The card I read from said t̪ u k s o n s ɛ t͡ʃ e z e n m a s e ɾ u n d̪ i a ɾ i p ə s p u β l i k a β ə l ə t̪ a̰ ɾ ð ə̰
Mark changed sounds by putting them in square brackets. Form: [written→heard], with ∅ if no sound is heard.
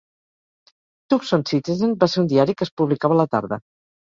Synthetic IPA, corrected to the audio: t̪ u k s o n s [ɛ→i] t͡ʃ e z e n [m→b] a s e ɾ u n d̪ i a ɾ i [p→k] ə s p u β l i k a β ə l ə t̪ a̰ ɾ ð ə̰

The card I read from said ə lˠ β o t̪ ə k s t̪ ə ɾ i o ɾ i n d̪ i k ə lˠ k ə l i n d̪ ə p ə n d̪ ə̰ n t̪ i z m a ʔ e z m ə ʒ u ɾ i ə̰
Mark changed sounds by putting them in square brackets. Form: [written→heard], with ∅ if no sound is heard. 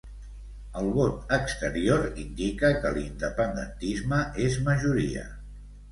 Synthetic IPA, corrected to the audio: ə lˠ β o t̪ ə k s t̪ ə ɾ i o ɾ i n d̪ i k ə [lˠ→∅] k ə l i n d̪ ə p ə n d̪ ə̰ n t̪ i z m [a→ə] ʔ e z m ə ʒ u ɾ i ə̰

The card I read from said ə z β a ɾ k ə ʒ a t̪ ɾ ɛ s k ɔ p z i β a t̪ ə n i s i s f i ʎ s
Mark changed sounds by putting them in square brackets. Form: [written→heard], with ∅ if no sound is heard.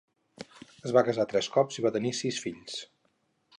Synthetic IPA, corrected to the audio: ə z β a [ɾ→∅] k ə [ʒ→z] a t̪ ɾ ɛ s k ɔ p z i β a t̪ ə n i s i s f i ʎ s

